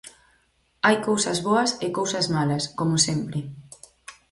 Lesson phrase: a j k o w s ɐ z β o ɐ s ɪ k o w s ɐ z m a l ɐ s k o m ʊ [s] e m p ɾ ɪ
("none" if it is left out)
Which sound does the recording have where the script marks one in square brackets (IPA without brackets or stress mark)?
s